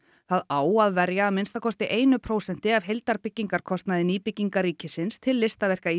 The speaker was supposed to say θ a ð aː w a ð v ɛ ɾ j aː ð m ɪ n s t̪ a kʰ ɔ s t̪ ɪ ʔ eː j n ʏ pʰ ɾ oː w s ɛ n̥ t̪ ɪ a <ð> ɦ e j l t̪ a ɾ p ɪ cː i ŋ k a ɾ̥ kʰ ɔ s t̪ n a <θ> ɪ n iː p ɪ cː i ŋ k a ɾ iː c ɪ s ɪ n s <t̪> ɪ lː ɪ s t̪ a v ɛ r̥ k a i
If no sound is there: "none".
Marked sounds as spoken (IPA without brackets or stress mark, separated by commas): v, ð, t̪ʰ